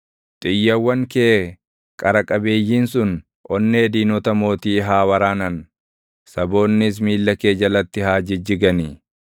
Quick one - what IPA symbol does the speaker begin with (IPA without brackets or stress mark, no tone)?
t̪ʼ